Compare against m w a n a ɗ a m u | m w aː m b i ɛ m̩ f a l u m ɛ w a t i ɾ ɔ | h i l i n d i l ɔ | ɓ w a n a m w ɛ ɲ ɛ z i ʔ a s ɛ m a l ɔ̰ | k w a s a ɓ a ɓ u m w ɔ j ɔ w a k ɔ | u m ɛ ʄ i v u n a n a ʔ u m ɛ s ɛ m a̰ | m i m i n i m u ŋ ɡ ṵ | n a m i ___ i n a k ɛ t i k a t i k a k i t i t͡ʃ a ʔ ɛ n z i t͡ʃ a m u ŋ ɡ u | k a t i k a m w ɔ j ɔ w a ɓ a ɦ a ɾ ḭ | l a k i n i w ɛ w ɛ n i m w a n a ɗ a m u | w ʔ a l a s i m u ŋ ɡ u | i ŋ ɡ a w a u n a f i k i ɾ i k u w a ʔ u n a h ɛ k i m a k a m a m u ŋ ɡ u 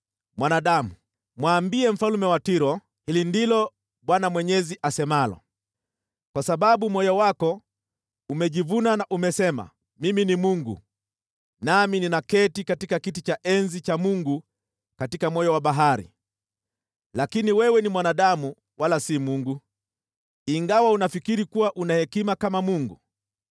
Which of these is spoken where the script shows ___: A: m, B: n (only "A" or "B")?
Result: B